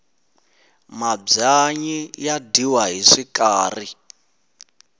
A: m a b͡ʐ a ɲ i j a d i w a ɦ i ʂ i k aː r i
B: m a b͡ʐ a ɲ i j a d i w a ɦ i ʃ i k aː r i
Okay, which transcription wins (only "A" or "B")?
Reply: A